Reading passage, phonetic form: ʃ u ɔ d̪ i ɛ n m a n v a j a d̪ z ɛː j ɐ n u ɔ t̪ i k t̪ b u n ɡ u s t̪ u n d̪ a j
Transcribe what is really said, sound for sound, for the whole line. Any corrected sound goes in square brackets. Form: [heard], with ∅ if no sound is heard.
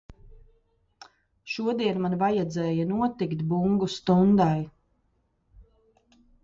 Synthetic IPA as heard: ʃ u ɔ d̪ i ɛ n m a n v a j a d̪ z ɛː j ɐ n u ɔ t̪ i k t̪ b u [ŋ] ɡ u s t̪ u n d̪ a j